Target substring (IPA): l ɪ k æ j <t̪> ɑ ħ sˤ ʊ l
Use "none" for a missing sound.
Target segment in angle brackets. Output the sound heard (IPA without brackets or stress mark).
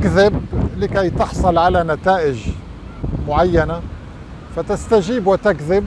t̪